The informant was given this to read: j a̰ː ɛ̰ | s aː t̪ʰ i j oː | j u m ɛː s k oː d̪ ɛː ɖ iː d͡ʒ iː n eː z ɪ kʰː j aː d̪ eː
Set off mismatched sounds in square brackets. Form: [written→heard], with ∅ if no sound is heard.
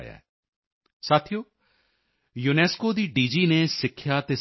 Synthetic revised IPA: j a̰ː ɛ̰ | s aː t̪ʰ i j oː | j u [m→n] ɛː s k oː d̪ [ɛː→iː] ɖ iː d͡ʒ iː n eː [z→s] ɪ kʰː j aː [d̪→t̪] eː

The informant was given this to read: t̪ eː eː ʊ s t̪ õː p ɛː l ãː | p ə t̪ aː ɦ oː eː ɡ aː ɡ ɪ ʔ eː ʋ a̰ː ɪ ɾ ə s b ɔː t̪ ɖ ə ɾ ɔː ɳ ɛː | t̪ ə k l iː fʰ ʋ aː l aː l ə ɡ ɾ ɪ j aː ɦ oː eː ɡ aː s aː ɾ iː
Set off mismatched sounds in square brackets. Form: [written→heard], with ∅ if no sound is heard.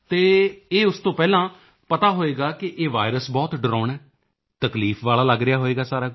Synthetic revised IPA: t̪ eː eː ʊ s t̪ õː p ɛː l ãː | p ə t̪ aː ɦ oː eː ɡ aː [ɡ→k] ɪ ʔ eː ʋ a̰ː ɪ ɾ ə s b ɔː t̪ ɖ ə ɾ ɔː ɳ ɛː | t̪ ə k l iː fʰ ʋ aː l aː l ə ɡ ɾ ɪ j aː ɦ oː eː ɡ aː s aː ɾ [iː→aː]

